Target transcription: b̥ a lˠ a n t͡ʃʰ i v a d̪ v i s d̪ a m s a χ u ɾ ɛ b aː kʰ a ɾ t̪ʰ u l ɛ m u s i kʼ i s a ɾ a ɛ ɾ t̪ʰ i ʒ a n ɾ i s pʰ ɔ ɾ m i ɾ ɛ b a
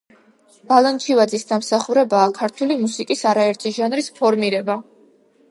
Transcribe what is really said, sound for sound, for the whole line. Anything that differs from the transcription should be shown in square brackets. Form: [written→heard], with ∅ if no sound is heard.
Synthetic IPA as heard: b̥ a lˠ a n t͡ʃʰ i v a d̪ [v→z] i s d̪ a m s a χ u ɾ ɛ b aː kʰ a ɾ t̪ʰ u l [ɛ→i] m u s i kʼ i s a ɾ a ɛ ɾ t̪ʰ i ʒ a n ɾ i s pʰ ɔ ɾ m i ɾ ɛ b a